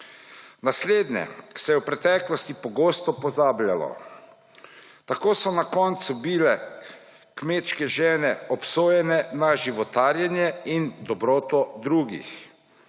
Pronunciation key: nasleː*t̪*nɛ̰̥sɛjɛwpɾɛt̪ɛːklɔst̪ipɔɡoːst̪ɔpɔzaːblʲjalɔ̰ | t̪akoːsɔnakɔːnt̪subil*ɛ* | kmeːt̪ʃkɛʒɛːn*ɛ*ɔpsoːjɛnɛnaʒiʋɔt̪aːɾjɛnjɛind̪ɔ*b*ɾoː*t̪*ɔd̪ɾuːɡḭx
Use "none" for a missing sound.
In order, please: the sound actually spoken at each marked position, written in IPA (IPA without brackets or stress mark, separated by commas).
d̪, ɛ, ɛ, b, t̪